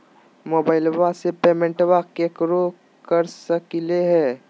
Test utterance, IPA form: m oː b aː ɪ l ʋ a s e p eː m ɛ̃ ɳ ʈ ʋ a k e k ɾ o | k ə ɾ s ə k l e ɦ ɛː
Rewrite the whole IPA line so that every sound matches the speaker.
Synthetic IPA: m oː b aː ɪ l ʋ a s e p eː m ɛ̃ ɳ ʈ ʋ a k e k ɾ o | k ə ɾ s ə k l e ɦ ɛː